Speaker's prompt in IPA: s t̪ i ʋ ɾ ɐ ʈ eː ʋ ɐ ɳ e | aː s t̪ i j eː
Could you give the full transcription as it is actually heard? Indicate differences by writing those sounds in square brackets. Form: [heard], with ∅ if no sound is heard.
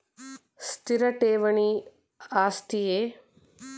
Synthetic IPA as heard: s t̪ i [∅] ɾ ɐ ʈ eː ʋ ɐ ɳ [i] | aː s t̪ i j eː